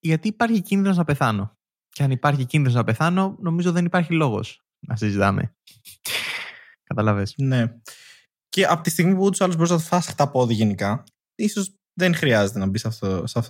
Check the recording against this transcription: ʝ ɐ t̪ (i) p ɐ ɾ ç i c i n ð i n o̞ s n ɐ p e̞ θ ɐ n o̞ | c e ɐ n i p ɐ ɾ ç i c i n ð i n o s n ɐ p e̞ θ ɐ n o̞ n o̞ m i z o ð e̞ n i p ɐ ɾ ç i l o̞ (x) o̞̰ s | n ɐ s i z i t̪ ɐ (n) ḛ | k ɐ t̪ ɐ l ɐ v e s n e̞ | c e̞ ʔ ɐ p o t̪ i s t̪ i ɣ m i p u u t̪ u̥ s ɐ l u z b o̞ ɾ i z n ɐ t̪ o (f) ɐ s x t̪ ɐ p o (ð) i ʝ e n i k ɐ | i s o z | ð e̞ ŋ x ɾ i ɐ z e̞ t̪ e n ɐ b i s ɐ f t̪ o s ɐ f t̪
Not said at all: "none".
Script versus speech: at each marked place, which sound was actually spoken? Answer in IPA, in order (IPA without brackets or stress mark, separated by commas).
iː, ɣ, m, f, ð